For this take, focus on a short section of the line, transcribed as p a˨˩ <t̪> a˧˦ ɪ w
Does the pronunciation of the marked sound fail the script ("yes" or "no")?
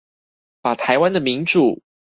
yes